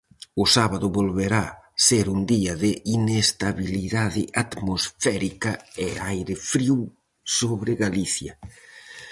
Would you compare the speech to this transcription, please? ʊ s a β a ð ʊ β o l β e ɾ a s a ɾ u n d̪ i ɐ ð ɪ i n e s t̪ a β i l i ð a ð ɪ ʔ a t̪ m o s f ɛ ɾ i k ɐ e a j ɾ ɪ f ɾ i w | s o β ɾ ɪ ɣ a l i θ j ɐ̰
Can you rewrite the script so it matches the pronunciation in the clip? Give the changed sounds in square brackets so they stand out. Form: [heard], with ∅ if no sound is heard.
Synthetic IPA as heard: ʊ s a β a ð ʊ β o l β e ɾ a s [e] ɾ u n d̪ i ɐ ð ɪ i n e s t̪ a β i l i ð a ð ɪ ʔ a t̪ m o s f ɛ ɾ i k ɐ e a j ɾ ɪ f ɾ i w | s o β ɾ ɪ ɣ a l i θ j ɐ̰